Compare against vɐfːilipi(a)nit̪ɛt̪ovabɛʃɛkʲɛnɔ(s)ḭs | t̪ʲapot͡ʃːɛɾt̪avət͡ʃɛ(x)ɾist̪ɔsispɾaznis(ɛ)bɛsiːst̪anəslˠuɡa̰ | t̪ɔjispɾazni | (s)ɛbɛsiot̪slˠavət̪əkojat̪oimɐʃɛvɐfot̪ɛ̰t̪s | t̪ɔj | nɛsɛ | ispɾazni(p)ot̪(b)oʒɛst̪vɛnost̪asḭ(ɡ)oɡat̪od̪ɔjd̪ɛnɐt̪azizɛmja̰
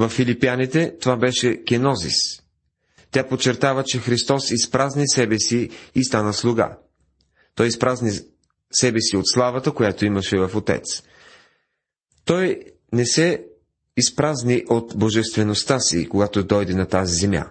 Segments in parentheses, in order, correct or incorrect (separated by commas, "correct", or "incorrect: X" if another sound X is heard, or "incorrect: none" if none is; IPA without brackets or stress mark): correct, incorrect: z, correct, correct, correct, incorrect: ʔ, correct, incorrect: k